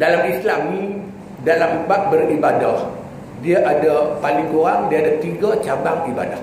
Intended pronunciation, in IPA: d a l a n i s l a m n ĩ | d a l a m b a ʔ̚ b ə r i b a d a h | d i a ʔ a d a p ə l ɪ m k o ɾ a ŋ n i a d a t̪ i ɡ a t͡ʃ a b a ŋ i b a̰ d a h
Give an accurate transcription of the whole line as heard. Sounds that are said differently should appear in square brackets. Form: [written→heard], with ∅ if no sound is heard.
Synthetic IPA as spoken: d a l a [n→m] i s l a m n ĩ | d a l a m b a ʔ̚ b ə r i b a d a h | d i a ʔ a d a p [ə→a] l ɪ [m→ŋ] k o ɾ a ŋ [n→d] i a d a t̪ i ɡ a t͡ʃ a b a ŋ i b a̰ d a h